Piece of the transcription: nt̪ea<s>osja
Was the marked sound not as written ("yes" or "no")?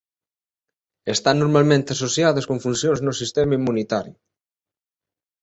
no